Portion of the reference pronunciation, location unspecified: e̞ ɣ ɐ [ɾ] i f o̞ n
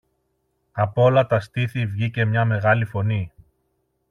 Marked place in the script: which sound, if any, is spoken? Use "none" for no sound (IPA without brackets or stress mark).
l